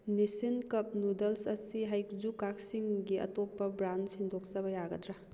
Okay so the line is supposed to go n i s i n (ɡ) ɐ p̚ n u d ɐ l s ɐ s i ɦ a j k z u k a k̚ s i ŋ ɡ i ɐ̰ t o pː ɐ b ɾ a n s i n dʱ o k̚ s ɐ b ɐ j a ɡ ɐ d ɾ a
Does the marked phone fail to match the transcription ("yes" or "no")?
yes